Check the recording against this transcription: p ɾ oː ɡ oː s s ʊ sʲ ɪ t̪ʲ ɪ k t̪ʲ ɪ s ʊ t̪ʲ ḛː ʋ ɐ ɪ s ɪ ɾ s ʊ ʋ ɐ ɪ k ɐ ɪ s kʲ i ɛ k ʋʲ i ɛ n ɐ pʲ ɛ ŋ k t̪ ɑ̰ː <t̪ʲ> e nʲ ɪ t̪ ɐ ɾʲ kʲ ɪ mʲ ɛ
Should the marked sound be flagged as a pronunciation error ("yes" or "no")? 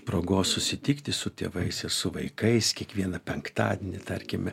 yes